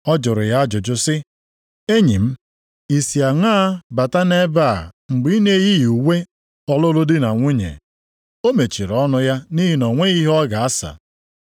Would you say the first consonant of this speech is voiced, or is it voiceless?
voiced